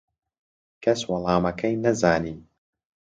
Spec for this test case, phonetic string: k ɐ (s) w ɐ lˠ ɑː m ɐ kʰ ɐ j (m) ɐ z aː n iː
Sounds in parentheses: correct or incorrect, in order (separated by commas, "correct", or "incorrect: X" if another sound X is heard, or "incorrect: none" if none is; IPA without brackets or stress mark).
correct, incorrect: n